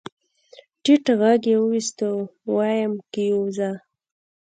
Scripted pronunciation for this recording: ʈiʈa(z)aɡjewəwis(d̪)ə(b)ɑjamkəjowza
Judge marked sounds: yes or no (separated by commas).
no, no, no